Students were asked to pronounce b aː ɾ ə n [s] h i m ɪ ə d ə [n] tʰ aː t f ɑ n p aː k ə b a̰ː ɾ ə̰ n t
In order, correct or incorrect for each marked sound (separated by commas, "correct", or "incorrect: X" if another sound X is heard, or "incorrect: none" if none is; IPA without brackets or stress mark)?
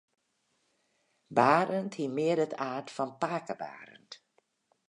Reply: incorrect: t, incorrect: none